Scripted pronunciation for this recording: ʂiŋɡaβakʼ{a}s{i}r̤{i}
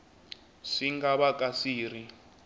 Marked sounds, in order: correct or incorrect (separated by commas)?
correct, incorrect, correct